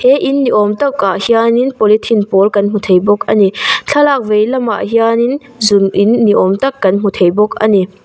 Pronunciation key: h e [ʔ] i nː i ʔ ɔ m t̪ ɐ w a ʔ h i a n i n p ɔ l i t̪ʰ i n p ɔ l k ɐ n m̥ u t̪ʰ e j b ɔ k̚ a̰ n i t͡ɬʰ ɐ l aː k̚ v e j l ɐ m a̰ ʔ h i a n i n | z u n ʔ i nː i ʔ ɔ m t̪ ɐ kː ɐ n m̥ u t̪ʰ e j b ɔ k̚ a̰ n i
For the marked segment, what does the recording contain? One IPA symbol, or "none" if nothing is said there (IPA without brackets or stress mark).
ʔ